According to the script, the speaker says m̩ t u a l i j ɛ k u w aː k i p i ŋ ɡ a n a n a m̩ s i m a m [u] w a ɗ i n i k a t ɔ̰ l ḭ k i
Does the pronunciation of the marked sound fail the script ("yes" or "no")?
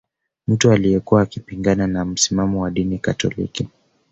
yes